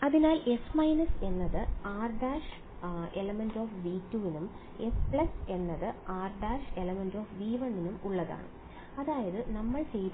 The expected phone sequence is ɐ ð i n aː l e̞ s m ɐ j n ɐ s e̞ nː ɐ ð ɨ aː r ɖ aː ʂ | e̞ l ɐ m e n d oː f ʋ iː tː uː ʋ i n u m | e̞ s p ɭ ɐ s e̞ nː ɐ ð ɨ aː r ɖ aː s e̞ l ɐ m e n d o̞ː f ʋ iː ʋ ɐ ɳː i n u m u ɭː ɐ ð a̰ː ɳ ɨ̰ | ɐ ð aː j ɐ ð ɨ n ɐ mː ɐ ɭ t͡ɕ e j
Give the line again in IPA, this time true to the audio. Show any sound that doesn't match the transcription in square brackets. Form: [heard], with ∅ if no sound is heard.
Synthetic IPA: ɐ ð i n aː l e̞ s m ɐ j n ɐ s e̞ nː ɐ ð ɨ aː r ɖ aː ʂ | e̞ l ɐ m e n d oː f ʋ iː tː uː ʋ i n u m | e̞ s p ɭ ɐ s e̞ nː ɐ ð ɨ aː r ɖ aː [ʂ] e̞ l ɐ m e n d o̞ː f ʋ iː ʋ ɐ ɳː i n u m u ɭː ɐ ð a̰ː ɳ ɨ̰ | ɐ ð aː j ɐ ð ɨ n ɐ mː ɐ ɭ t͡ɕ e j

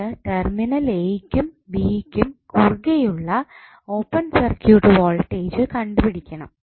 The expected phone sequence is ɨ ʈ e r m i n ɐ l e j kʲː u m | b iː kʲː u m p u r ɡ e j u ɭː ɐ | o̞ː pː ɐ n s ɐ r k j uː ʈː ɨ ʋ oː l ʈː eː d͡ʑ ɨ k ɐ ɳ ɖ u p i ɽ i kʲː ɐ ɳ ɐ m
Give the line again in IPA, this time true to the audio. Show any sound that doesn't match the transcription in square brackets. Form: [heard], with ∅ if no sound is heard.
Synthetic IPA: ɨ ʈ e r m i n ɐ l e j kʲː u m | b iː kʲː u m [k] u r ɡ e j u ɭː ɐ | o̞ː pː ɐ n s ɐ r k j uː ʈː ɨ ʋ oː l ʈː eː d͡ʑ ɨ k ɐ ɳ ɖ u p i ɽ i kʲː ɐ ɳ ɐ m

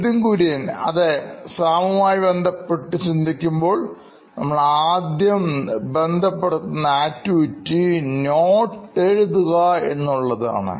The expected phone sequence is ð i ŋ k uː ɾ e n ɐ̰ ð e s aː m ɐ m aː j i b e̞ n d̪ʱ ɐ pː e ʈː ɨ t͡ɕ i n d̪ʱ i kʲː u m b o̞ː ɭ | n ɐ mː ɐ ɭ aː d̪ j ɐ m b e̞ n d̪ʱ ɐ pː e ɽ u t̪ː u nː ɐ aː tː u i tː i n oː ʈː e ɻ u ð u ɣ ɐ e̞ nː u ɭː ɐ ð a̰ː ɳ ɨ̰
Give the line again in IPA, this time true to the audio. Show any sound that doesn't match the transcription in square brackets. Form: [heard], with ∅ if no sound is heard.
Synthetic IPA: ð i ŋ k uː ɾ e n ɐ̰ ð e s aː m ɐ m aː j i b e̞ n d̪ʱ ɐ pː e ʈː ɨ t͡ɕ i n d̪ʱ i kʲː u m b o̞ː ɭ | n ɐ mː ɐ ɭ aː d̪ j ɐ m b e̞ n d̪ʱ ɐ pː e ɽ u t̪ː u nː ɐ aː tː u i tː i n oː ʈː e ɻ u ð u ɣ ɐ e̞ nː u ɭː ɐ ð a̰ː ɳ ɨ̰

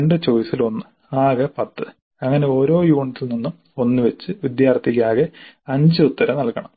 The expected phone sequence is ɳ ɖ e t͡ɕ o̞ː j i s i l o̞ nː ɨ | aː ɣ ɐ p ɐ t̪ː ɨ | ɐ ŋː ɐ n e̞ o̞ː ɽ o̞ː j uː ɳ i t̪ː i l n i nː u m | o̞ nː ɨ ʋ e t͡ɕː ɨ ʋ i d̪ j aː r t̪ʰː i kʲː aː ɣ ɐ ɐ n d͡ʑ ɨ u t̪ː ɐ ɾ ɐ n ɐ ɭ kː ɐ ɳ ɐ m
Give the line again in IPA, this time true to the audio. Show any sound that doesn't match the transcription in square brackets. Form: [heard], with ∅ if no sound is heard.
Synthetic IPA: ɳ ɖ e t͡ɕ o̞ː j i s i l o̞ nː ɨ | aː ɣ ɐ p ɐ t̪ː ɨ | ɐ ŋː ɐ n e̞ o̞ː [ɾ] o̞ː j uː ɳ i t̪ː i l n i nː u m | o̞ nː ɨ ʋ e t͡ɕː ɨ ʋ i d̪ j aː r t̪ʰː i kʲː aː ɣ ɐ ɐ [ɲ] d͡ʑ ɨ u t̪ː ɐ ɾ ɐ n ɐ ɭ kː ɐ ɳ ɐ m

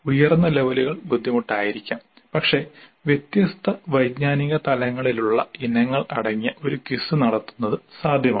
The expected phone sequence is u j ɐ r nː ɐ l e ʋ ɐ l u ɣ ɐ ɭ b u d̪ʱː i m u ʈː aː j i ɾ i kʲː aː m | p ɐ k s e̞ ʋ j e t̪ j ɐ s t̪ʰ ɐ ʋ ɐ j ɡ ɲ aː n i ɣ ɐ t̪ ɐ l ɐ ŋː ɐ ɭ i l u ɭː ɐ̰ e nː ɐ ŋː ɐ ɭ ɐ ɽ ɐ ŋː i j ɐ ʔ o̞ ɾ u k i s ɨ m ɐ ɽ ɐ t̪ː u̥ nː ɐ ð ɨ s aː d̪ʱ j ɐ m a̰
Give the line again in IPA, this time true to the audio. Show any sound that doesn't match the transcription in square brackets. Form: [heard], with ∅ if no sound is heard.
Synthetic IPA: u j ɐ r nː ɐ l e ʋ ɐ l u ɣ ɐ ɭ b u d̪ʱː i m u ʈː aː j i ɾ i kʲː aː m | p ɐ k [ʂ] e̞ ʋ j e t̪ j ɐ s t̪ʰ ɐ ʋ ɐ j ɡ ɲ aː n i ɣ ɐ t̪ ɐ l ɐ ŋː ɐ ɭ i l u ɭː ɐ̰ [i] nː ɐ ŋː ɐ ɭ ɐ ɽ ɐ ŋː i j ɐ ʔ o̞ ɾ u k i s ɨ [n] ɐ ɽ ɐ t̪ː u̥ nː ɐ ð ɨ s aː d̪ʱ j ɐ m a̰

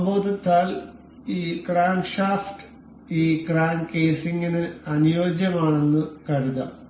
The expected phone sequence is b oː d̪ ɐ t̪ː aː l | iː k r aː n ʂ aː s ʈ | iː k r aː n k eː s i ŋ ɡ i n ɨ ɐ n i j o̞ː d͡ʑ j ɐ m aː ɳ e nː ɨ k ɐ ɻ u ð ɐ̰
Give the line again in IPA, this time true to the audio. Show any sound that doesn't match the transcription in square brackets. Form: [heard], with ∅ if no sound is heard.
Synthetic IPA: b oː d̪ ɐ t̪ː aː l | iː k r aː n ʂ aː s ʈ | iː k r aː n k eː s i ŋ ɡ i n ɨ ɐ n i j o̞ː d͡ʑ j ɐ m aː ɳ e nː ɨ k ɐ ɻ u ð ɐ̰

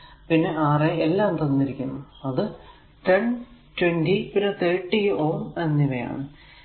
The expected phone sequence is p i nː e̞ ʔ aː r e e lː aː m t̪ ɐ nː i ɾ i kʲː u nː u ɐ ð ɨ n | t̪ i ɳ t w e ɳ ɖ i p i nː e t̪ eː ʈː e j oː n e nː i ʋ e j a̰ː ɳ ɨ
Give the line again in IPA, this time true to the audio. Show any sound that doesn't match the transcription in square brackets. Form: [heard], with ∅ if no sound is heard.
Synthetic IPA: p i nː e̞ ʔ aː r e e lː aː m t̪ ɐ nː i ɾ i kʲː u nː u ɐ ð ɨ [∅] | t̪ [e] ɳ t w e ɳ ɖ i p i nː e t̪ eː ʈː [i] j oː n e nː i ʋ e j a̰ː ɳ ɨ

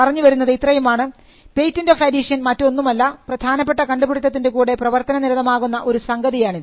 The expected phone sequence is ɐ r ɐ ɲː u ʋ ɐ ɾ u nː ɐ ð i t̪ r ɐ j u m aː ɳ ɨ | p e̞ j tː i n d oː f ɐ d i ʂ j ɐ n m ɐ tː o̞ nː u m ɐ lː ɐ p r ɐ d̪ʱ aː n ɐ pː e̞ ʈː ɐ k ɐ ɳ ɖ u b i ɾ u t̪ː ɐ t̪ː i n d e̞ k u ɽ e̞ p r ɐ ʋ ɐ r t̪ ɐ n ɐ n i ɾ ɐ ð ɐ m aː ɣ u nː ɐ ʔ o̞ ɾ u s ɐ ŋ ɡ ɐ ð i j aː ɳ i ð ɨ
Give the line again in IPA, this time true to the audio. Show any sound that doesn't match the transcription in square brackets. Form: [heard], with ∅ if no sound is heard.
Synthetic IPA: ɐ r ɐ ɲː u ʋ ɐ ɾ u nː ɐ ð i t̪ r ɐ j u m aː ɳ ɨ | p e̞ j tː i n d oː f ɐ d i ʂ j ɐ n m ɐ tː o̞ nː u m ɐ lː ɐ p r ɐ d̪ʱ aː n ɐ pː e̞ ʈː ɐ k ɐ ɳ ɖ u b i [ɽ] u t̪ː ɐ t̪ː i n d e̞ k [uː] ɽ e̞ p r ɐ ʋ ɐ r t̪ ɐ n ɐ n i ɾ ɐ ð ɐ m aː ɣ u nː ɐ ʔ o̞ ɾ u s ɐ ŋ ɡ ɐ ð i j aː ɳ i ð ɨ

